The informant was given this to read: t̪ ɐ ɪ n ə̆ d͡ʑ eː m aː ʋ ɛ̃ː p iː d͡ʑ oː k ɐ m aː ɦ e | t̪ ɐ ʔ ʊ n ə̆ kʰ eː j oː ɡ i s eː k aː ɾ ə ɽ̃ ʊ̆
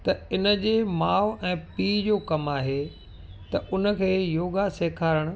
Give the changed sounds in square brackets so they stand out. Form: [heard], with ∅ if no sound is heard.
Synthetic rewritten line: t̪ ɐ ɪ n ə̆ d͡ʑ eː m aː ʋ ɛ̃ː p iː d͡ʑ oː k ɐ m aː ɦ e | t̪ ɐ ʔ ʊ n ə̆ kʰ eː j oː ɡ [a] s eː [kʰ] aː ɾ ə ɽ̃ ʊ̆